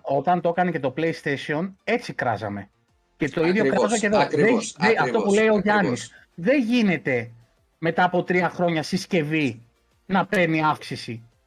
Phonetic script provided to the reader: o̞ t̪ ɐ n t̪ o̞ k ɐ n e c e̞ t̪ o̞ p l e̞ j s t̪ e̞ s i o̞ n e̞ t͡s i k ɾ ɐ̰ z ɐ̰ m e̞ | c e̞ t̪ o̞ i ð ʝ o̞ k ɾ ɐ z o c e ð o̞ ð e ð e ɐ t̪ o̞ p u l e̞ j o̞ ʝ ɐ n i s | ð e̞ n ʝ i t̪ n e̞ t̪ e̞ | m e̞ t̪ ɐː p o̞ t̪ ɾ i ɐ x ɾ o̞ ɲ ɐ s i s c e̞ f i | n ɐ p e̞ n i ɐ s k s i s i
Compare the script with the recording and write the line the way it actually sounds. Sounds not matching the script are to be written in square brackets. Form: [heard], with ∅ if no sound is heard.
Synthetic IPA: o̞ t̪ ɐ n t̪ o̞ k ɐ n e c e̞ t̪ o̞ p l e̞ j s t̪ e̞ s i o̞ n e̞ t͡s i k ɾ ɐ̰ z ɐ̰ m e̞ | c e̞ t̪ o̞ i ð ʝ o̞ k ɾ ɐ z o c e ð o̞ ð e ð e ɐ t̪ o̞ p u l e̞ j o̞ ʝ ɐ n i s | ð e̞ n ʝ i [∅] n e̞ t̪ e̞ | m e̞ t̪ ɐː p o̞ t̪ ɾ i ɐ x ɾ o̞ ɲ ɐ s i s c e̞ [v] i | n ɐ p e̞ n i ɐ [f] k s i s i